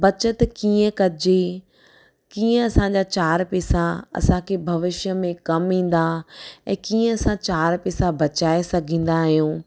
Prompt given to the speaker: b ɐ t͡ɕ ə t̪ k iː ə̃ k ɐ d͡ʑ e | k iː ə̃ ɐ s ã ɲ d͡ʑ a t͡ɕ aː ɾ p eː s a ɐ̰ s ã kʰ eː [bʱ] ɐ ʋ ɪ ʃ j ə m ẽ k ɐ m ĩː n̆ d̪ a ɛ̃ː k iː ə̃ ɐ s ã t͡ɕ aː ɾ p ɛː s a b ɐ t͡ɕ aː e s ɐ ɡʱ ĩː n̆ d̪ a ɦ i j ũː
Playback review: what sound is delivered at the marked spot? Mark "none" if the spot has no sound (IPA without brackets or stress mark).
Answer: bʱ